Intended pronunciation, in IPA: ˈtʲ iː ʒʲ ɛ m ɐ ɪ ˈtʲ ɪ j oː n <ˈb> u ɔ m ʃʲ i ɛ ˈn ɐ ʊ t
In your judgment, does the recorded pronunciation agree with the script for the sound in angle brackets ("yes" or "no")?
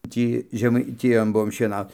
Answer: yes